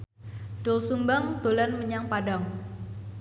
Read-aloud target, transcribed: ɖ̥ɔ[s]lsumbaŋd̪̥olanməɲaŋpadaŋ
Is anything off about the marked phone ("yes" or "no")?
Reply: yes